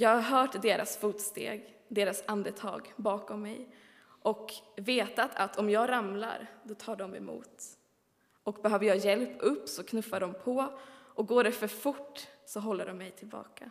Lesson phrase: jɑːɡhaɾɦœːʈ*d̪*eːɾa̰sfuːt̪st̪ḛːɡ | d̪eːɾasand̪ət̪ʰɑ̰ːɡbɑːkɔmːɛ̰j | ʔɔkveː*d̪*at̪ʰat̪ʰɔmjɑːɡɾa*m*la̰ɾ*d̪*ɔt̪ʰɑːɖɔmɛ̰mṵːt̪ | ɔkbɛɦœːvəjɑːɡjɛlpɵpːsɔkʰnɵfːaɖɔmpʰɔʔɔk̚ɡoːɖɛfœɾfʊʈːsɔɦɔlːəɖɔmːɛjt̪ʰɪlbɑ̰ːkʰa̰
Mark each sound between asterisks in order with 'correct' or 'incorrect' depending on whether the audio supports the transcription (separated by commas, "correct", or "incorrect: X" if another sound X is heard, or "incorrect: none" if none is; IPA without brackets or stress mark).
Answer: correct, incorrect: t̪, correct, correct